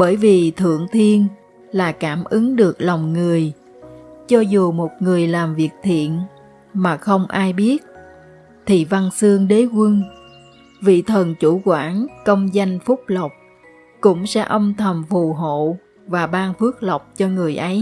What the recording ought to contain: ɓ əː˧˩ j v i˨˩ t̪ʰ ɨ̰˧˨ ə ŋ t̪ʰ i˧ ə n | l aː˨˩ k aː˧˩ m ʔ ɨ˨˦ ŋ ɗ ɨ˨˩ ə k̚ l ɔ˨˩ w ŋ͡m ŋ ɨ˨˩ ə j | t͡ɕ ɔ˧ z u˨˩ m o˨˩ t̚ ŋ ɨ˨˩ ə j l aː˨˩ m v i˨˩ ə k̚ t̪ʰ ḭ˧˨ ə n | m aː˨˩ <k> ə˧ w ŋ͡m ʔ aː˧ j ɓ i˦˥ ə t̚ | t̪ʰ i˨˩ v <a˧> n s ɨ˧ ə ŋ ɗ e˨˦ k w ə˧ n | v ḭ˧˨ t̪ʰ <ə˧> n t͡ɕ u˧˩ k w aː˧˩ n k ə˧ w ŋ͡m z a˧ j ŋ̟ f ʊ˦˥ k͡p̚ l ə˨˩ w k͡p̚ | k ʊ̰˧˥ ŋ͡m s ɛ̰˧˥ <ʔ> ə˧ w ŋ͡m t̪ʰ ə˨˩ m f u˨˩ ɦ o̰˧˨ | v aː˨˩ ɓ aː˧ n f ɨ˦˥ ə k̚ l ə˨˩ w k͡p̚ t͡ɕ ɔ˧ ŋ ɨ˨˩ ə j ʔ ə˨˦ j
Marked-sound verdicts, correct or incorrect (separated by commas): incorrect, correct, incorrect, correct